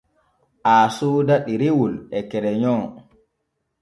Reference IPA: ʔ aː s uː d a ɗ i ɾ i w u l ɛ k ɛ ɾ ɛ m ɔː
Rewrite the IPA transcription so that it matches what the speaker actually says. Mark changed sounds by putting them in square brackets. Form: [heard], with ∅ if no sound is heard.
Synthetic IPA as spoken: ʔ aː s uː d a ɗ i ɾ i w u l ɛ k ɛ ɾ ɛ [ɲ] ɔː

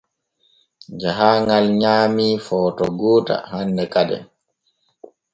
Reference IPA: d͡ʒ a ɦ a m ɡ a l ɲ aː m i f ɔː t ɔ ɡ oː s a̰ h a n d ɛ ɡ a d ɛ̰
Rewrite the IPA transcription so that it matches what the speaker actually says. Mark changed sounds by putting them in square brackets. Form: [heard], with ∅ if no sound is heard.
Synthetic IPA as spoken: d͡ʒ a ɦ a [ŋ] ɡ a l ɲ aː m i f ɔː t ɔ ɡ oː [t] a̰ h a n d ɛ [k] a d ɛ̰

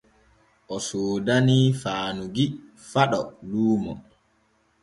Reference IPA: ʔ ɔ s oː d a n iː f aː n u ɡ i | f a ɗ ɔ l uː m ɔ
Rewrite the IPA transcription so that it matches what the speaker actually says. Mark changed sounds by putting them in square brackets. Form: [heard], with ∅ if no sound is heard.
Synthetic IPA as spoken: ʔ ɔ s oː d a n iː f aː n u ɡ i | f a ɗ ɔ l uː m ɔ

